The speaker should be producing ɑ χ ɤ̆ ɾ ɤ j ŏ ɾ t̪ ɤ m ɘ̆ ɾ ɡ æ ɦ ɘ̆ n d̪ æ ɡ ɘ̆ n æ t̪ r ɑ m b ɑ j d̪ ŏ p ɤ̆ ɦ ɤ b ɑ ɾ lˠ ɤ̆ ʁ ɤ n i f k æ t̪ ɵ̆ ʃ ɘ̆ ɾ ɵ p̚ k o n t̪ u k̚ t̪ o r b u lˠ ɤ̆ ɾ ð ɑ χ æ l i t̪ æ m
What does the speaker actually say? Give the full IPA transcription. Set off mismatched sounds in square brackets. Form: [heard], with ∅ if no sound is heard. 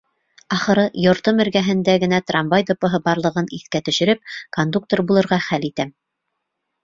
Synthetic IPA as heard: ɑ χ ɤ̆ ɾ ɤ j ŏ ɾ t̪ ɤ m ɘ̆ ɾ ɡ æ ɦ ɘ̆ n d̪ æ ɡ ɘ̆ n æ t̪ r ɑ m b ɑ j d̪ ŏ p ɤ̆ ɦ ɤ b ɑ ɾ lˠ ɤ̆ ʁ ɤ n i [θ] k æ t̪ ɵ̆ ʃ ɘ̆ ɾ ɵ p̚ k o n [d̪] u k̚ t̪ o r b u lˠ ɤ̆ ɾ [ʁ] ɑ χ æ l i t̪ æ m